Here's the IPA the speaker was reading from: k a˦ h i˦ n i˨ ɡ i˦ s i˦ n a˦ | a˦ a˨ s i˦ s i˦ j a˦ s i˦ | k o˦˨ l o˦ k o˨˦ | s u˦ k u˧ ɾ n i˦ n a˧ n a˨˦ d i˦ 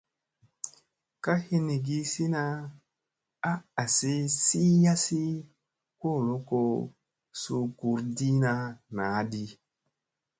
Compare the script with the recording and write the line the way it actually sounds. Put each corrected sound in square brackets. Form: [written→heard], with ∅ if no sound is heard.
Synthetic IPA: k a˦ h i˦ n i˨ ɡ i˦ s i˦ n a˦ | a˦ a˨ s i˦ s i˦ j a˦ s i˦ | k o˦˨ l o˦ k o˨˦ | s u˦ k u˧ ɾ [n→d] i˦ n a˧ n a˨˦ d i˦